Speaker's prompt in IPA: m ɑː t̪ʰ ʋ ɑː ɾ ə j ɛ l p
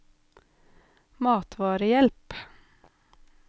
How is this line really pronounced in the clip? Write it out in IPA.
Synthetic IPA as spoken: m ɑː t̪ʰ ʋ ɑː ɾ ə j ɛ l p